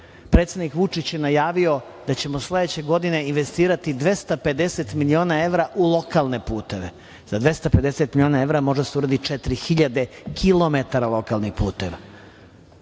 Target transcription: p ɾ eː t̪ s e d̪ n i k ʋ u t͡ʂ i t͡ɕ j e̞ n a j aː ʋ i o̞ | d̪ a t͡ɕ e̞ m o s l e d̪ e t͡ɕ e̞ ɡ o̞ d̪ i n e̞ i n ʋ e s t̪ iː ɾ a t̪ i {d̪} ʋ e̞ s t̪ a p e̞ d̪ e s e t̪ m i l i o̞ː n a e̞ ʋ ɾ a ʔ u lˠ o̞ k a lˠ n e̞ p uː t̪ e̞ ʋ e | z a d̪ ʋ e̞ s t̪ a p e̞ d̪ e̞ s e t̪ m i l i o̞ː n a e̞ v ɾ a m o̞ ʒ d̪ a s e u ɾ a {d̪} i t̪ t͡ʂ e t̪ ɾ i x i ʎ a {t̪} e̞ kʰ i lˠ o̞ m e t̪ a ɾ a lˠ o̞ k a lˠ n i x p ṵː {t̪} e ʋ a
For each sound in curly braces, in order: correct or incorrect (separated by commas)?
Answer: correct, correct, incorrect, correct